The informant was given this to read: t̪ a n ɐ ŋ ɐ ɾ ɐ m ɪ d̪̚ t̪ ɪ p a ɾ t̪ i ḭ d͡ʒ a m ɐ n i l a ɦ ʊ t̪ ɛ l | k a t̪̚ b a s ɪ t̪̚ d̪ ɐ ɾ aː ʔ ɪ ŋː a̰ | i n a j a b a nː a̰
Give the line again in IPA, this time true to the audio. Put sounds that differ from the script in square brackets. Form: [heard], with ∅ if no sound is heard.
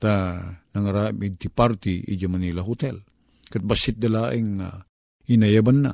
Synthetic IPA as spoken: t̪ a n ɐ ŋ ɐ ɾ [a] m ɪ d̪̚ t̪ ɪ p a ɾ t̪ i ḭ d͡ʒ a m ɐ n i l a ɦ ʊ t̪ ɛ l | k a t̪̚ b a s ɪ t̪̚ d̪ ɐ [l] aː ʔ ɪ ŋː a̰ | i n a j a b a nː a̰